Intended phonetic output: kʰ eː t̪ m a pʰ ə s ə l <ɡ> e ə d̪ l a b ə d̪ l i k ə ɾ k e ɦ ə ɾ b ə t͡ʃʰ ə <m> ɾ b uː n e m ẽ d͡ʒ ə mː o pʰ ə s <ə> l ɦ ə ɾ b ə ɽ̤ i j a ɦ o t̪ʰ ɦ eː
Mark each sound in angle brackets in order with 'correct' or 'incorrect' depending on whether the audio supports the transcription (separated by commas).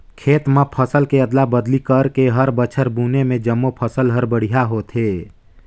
incorrect, incorrect, correct